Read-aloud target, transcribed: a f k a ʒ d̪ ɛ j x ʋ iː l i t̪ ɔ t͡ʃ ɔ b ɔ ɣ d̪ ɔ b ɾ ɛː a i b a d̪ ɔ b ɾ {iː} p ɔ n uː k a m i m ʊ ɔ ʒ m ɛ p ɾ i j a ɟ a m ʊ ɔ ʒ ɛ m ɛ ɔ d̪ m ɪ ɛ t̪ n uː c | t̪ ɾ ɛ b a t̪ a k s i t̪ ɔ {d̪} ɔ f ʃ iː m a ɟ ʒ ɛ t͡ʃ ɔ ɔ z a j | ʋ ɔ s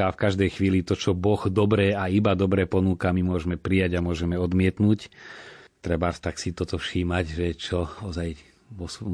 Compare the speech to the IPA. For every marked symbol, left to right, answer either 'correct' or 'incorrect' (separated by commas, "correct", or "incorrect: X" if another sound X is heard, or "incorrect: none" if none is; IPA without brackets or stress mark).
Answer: incorrect: ɛː, incorrect: t̪